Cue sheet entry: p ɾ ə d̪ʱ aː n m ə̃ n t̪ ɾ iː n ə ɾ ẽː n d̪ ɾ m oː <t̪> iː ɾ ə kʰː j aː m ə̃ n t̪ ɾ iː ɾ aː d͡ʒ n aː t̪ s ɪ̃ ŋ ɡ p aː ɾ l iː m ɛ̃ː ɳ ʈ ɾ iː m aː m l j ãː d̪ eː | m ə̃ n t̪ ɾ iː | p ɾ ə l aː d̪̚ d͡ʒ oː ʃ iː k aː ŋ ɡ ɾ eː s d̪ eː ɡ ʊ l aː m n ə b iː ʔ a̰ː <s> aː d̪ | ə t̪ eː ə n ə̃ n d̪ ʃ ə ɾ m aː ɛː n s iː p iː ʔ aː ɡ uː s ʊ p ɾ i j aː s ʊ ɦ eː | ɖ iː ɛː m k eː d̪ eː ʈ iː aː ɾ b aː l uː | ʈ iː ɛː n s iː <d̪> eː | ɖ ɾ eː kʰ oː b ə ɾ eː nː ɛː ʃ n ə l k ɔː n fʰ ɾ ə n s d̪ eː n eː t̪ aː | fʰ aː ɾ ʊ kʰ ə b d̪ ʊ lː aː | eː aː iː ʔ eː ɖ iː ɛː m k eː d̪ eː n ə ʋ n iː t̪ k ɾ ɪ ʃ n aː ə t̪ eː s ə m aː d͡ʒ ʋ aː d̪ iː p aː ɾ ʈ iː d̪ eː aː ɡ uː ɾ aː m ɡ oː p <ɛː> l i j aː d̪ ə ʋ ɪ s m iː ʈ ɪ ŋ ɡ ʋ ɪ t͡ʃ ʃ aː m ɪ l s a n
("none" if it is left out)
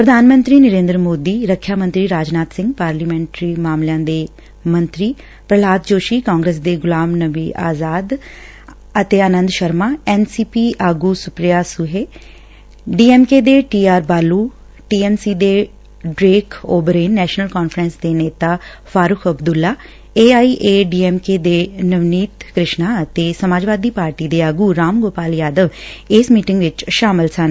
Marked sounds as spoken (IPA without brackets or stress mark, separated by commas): d̪, z, d̪, aː